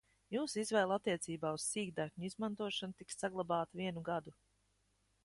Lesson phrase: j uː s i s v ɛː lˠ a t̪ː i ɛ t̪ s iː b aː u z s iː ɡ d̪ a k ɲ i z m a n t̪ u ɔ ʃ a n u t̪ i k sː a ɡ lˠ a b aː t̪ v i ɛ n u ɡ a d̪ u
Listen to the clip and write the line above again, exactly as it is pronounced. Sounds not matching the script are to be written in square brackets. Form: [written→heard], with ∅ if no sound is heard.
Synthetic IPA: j uː s i [s→z] v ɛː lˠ a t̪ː i ɛ t̪ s iː b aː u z s iː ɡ d̪ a k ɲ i z m a n t̪ u ɔ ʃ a n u t̪ i k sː a ɡ lˠ a b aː t̪ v i ɛ n u ɡ a d̪ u